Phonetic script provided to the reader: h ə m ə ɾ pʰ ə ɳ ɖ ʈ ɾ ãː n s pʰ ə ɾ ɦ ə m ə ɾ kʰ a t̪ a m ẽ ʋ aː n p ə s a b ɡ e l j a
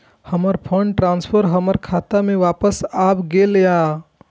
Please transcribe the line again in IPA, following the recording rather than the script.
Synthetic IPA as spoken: h ə m ə ɾ pʰ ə ɳ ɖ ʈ ɾ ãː n s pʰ ə ɾ ɦ ə m ə ɾ kʰ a t̪ a m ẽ ʋ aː p ə s a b ɡ e l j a